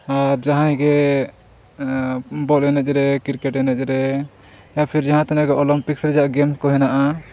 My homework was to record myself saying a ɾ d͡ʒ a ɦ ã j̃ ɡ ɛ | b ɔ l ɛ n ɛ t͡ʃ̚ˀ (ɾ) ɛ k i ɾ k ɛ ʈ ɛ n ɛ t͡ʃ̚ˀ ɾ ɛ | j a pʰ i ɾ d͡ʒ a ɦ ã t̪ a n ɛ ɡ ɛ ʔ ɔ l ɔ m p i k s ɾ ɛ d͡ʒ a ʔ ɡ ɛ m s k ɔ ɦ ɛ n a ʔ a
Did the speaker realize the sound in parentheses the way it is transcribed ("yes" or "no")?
yes